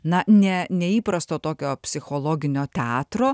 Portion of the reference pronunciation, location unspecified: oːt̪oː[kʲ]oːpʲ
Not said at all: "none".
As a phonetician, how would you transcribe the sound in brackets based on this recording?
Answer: kʲ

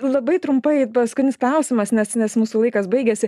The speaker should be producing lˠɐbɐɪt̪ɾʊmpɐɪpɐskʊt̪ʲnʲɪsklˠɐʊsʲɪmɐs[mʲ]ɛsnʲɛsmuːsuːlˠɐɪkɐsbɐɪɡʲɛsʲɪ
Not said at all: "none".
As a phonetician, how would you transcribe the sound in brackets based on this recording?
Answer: nʲ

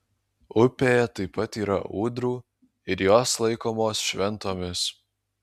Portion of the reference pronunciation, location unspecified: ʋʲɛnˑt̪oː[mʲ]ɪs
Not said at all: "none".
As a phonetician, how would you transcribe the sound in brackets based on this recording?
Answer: mʲ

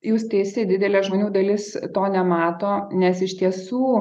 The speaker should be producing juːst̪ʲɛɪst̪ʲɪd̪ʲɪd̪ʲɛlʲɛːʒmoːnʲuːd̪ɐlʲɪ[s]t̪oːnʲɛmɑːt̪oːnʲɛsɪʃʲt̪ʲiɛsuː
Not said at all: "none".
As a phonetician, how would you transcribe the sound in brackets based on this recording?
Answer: s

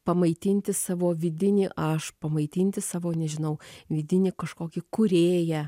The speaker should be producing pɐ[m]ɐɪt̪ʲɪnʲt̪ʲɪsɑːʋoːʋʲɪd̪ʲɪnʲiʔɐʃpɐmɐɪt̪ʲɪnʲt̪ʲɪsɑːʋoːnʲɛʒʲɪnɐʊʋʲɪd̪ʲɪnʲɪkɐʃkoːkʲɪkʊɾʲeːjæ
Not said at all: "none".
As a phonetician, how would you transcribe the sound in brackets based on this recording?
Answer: m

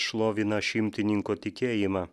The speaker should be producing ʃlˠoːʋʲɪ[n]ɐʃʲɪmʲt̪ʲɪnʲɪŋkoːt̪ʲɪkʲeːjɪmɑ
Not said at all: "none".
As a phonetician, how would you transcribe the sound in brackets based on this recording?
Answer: n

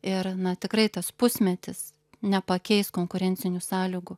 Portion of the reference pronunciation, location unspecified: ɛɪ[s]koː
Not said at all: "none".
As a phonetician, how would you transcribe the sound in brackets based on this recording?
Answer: s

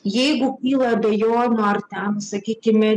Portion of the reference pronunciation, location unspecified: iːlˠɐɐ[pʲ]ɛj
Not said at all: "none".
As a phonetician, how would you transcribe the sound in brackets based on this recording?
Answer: bʲ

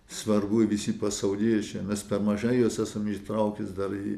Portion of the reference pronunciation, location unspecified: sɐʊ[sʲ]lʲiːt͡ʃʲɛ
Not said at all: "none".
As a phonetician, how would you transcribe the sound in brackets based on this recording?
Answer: none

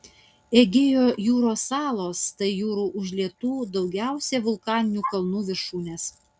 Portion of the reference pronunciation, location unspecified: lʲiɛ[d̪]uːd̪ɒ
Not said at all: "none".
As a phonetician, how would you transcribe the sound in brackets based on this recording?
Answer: t̪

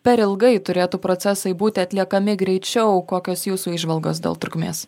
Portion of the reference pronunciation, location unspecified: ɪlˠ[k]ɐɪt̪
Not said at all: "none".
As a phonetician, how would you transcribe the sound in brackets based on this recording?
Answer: ɡ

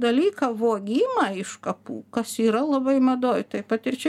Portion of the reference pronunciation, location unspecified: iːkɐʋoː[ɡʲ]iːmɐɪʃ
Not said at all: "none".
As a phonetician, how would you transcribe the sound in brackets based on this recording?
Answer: ɡʲ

